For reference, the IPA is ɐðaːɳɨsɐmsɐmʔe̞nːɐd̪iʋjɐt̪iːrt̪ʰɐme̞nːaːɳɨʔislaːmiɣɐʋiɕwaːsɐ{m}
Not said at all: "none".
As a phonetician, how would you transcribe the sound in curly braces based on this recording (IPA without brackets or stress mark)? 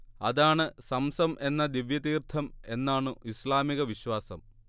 m